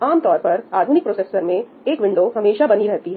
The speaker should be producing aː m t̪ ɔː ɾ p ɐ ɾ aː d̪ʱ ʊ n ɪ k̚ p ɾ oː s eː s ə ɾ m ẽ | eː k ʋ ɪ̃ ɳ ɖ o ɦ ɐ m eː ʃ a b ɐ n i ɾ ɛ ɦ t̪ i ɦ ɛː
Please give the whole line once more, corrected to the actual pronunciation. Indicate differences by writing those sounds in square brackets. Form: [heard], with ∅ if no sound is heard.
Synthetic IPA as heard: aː m t̪ ɔː ɾ p ɐ ɾ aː d̪ʱ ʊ n ɪ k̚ p ɾ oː s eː s ə ɾ m ẽ | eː k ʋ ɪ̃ ɳ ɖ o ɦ ɐ m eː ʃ a b ɐ n i ɾ ɛ ɦ t̪ i ɦ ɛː